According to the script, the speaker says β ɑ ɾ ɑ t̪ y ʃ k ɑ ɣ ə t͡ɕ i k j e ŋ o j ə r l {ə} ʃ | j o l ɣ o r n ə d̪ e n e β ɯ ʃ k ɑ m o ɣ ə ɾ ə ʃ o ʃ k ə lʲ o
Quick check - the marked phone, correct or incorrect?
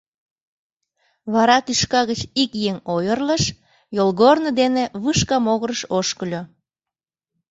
correct